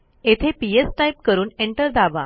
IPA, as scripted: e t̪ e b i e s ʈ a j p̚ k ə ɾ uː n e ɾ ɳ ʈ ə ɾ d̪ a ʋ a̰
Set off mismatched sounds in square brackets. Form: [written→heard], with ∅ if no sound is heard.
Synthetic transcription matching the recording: e [t̪→t̪ʰ] e [b→p] i e s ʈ a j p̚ k ə ɾ uː n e [ɾ→∅] ɳ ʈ ə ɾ d̪ a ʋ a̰

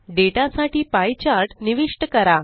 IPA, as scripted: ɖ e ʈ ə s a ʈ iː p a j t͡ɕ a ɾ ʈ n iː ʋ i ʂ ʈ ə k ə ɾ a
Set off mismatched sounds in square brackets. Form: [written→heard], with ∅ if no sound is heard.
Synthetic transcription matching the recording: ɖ e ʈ [ə→a] s a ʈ iː p a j t͡ɕ a ɾ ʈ n [iː→i] ʋ i ʂ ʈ ə k ə ɾ a

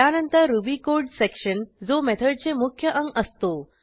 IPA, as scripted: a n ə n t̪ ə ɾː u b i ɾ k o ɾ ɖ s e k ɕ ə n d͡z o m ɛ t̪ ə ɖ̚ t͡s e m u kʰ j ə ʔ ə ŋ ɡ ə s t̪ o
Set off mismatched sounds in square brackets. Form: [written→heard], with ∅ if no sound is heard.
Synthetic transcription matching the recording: a n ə n t̪ ə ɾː u b i [ɾ→∅] k o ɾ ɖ s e k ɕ ə n d͡z o m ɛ [t̪→t̪ʰ] ə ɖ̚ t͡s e m u kʰ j ə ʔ ə ŋ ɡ ə s t̪ o

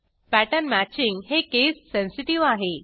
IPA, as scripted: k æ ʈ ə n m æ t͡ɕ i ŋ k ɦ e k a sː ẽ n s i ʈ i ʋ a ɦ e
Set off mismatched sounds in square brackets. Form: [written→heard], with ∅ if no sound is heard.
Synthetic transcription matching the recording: [k→p] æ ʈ ə n m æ t͡ɕ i ŋ [k→ɡ] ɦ e k [a→e] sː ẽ n s i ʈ i ʋ a ɦ e

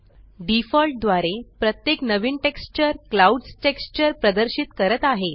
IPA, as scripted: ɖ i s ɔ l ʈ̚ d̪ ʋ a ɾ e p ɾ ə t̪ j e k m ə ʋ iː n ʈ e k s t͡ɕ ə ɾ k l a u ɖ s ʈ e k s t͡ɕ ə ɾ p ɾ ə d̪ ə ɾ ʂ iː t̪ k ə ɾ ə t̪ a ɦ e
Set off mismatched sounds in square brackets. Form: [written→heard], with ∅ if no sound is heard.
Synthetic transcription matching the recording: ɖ i [s→f] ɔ l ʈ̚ d̪ ʋ a ɾ e p ɾ ə t̪ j e k [m→n] ə ʋ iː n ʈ e k s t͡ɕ ə ɾ k l a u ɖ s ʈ e k s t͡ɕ ə ɾ p ɾ ə d̪ ə ɾ [ʂ→ɕ] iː t̪ k ə ɾ ə t̪ a ɦ e

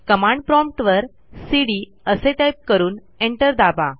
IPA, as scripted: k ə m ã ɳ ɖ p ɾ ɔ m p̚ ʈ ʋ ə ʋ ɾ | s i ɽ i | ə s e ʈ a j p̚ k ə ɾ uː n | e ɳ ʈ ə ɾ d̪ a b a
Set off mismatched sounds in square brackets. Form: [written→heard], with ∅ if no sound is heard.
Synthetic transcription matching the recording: k ə m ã ɳ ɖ p ɾ ɔ m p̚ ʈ ʋ ə [ʋ→∅] ɾ | s i ɽ i | ə s e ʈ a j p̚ k ə ɾ uː n | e ɳ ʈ ə ɾ d̪ a b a

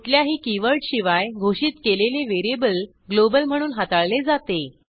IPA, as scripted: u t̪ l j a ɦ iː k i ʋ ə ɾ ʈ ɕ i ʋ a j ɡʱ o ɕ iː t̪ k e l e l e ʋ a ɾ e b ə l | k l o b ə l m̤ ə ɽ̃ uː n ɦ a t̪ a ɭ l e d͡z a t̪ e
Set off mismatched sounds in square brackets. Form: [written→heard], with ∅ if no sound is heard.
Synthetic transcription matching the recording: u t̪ l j a ɦ iː k i ʋ ə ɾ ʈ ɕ i ʋ a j ɡʱ o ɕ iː t̪ k e l e l e ʋ [a→e] ɾ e b ə l | [k→ɡ] l o b ə l m̤ ə ɽ̃ uː n ɦ a t̪ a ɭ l e d͡z a t̪ e

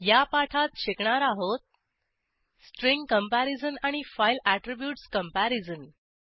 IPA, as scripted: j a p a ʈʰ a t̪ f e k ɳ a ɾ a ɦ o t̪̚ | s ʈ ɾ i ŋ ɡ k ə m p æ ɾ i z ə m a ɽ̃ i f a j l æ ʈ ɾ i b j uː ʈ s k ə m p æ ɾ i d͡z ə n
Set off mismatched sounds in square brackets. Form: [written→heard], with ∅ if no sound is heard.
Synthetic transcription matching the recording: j a p a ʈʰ a t̪ [f→ɕ] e k ɳ a ɾ a ɦ o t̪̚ | s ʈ ɾ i ŋ ɡ k ə m p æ ɾ i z ə [m→n] a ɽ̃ i f a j l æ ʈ ɾ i b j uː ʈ s k ə m p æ ɾ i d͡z ə n

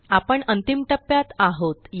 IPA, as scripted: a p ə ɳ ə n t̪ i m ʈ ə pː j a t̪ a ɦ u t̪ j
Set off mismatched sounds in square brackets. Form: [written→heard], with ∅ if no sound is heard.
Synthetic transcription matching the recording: a p ə ɳ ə n t̪ i m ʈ ə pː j a t̪ a ɦ [u→o] t̪ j

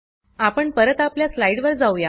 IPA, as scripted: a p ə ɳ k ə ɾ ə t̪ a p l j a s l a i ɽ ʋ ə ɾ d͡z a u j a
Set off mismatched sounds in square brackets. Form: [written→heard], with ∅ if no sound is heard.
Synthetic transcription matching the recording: a p ə ɳ [k→p] ə ɾ ə t̪ a p l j a s l a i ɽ ʋ ə ɾ d͡z a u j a

